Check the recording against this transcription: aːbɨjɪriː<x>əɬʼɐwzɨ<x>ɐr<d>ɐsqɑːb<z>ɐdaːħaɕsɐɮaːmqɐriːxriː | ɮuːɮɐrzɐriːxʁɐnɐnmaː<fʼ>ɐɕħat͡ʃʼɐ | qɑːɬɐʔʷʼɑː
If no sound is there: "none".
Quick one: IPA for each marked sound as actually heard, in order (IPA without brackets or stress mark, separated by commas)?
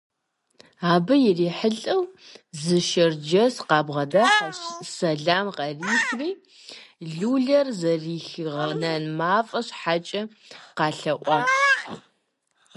ħ, ʃ, d͡ʒ, ʁ, fʼ